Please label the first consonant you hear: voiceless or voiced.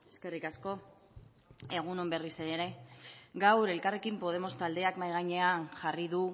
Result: voiceless